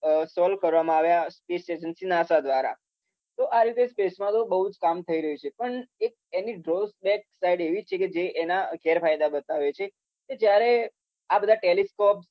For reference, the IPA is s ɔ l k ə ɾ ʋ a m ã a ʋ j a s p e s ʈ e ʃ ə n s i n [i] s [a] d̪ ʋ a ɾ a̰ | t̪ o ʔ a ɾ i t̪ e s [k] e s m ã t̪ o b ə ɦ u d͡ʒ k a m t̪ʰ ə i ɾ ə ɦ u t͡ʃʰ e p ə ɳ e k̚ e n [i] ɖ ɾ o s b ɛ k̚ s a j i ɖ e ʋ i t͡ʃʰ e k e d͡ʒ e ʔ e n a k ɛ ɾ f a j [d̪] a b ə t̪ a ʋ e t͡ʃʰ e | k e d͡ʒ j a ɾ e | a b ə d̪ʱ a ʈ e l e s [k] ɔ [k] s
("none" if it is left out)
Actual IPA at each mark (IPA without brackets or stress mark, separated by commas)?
a, a, p, i, d̪, k, p